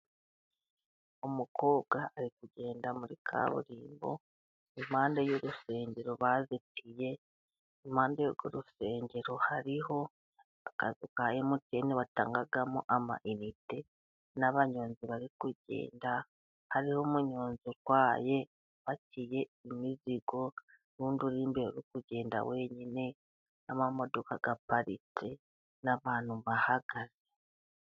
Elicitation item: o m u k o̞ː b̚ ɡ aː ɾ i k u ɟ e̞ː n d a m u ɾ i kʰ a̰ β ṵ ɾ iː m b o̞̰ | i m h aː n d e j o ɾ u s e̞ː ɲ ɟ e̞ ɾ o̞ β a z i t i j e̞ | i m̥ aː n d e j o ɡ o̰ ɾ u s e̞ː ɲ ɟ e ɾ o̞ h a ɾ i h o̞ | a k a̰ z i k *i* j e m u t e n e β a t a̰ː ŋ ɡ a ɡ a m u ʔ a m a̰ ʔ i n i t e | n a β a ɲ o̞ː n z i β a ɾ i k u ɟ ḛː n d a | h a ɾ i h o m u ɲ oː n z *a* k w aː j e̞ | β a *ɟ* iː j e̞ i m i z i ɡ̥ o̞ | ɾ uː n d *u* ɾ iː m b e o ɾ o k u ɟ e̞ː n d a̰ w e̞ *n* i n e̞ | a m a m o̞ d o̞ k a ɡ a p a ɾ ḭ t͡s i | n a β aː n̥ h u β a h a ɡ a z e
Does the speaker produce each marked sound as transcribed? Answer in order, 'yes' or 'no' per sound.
no, no, no, yes, no

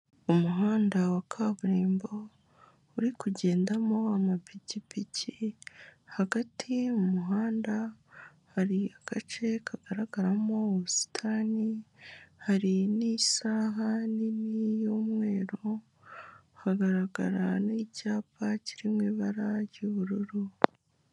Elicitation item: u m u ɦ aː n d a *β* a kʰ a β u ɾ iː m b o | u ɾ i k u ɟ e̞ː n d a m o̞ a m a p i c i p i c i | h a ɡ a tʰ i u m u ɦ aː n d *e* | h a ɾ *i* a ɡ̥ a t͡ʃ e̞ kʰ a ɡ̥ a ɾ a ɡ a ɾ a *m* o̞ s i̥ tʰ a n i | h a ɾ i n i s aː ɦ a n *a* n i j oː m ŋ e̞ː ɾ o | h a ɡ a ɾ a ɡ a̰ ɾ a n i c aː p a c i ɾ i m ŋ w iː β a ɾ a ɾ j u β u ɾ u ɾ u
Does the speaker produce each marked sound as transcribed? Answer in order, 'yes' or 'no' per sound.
no, no, yes, yes, no

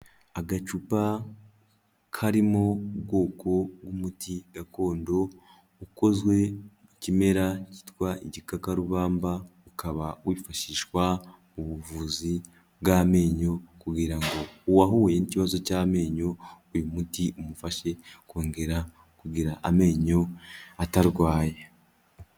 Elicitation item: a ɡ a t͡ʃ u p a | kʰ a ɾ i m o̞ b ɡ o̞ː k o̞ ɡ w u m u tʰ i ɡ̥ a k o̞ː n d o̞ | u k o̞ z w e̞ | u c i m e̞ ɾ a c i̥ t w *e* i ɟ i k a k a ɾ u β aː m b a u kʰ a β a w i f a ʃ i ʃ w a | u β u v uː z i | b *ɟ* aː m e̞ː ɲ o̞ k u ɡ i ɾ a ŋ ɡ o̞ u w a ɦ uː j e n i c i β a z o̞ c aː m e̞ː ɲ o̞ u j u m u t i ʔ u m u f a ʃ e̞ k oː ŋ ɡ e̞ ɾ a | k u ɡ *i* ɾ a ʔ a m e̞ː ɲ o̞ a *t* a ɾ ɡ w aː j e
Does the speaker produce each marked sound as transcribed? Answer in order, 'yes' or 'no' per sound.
no, no, yes, yes

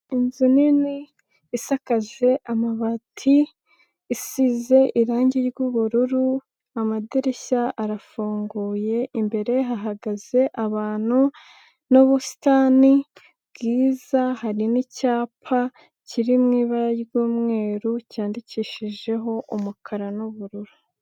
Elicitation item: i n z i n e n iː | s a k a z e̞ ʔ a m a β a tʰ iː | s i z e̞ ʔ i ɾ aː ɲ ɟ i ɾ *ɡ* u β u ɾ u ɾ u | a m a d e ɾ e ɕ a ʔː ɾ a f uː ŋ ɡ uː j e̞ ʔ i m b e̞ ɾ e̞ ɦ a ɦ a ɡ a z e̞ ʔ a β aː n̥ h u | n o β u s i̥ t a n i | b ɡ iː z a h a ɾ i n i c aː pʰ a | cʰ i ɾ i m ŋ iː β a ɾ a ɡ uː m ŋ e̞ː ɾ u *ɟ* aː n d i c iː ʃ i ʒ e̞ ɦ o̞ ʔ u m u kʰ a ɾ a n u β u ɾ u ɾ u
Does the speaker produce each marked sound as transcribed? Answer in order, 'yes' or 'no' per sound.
yes, no

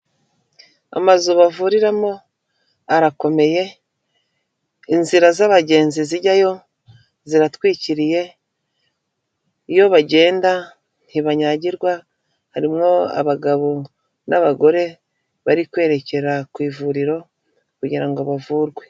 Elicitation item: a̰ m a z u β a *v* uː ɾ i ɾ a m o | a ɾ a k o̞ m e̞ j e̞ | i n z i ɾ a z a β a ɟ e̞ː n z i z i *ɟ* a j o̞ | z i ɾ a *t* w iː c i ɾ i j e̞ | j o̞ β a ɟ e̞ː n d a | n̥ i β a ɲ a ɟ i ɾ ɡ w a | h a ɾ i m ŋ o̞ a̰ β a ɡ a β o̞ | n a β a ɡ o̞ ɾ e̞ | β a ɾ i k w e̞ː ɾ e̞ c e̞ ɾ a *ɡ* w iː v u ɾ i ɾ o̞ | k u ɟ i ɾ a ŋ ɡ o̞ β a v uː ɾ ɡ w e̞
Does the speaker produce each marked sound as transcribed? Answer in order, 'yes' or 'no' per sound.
yes, yes, yes, no

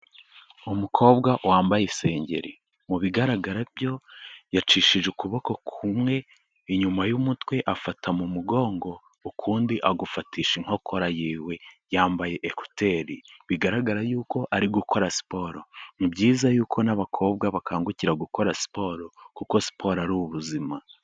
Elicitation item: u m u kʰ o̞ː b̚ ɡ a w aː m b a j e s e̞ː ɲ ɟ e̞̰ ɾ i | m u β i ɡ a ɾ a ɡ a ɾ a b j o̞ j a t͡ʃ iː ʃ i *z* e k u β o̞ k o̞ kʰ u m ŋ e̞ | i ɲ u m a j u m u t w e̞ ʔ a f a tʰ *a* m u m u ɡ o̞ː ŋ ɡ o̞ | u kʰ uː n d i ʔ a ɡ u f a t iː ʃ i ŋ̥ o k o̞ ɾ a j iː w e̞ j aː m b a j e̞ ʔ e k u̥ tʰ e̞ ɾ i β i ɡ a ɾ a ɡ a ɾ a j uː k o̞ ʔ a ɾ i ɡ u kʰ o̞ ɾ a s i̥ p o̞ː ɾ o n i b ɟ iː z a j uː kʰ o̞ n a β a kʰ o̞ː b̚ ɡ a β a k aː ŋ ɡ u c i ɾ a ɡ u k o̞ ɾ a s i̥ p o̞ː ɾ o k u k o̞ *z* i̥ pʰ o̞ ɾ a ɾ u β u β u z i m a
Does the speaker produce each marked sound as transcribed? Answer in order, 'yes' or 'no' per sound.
no, yes, no

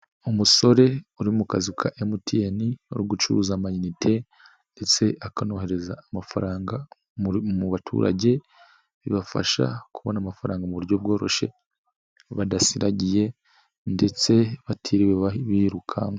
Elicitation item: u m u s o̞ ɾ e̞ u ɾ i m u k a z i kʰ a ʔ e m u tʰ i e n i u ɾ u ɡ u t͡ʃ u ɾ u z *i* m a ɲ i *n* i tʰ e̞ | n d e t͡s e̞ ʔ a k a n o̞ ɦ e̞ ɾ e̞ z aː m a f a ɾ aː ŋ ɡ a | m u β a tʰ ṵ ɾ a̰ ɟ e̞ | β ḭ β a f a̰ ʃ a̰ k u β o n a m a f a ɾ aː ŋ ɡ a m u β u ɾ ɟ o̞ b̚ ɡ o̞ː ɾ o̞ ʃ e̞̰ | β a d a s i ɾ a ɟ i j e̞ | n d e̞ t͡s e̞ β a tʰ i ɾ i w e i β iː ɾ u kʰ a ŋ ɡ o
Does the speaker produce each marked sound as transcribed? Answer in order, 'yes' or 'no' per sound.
no, yes

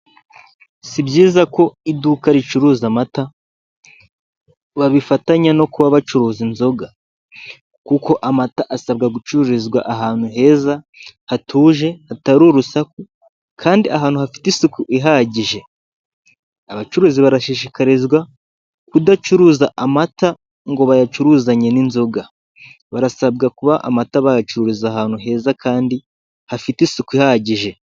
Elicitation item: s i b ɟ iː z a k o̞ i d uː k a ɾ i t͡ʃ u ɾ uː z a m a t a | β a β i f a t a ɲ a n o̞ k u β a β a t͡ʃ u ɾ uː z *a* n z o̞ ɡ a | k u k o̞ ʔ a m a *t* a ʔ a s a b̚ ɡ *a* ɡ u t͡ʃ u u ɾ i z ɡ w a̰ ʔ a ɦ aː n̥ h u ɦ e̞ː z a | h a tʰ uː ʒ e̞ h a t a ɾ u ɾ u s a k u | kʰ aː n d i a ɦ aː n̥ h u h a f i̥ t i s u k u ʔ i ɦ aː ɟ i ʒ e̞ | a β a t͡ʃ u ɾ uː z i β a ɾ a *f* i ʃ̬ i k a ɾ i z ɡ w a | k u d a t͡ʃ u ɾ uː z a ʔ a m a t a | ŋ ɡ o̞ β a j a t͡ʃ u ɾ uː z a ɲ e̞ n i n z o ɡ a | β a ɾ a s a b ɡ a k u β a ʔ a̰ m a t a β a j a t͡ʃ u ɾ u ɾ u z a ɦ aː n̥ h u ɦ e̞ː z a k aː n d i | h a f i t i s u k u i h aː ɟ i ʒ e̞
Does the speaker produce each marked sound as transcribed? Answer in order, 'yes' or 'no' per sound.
no, yes, yes, no

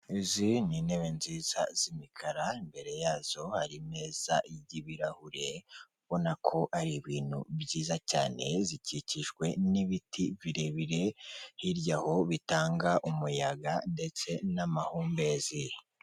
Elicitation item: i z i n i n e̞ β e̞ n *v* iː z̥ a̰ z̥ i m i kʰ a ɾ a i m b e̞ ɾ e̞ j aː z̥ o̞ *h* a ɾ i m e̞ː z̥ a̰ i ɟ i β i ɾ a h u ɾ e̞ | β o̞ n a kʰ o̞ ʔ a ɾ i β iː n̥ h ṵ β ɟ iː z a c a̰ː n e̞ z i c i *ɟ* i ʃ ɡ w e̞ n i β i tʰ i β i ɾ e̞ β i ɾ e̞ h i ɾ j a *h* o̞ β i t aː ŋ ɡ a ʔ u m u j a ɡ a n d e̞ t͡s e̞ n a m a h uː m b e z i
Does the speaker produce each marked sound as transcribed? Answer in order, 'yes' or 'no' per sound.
no, yes, no, yes

